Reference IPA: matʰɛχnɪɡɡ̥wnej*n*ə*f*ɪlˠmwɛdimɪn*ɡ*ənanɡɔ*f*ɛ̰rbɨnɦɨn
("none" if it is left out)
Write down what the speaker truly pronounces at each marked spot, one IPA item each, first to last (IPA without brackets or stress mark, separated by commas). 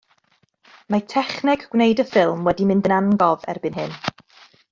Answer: d, f, d, v